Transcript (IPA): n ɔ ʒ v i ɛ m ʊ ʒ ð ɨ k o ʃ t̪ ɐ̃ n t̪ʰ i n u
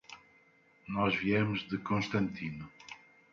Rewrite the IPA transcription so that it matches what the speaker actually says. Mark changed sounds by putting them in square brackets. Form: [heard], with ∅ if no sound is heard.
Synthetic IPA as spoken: n ɔ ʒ v i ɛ m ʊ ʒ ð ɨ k [õ] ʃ t̪ ɐ̃ n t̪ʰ i n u